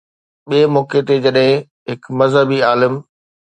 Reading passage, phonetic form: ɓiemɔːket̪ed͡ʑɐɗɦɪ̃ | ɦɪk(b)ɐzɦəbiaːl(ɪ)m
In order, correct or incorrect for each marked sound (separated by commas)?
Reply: incorrect, correct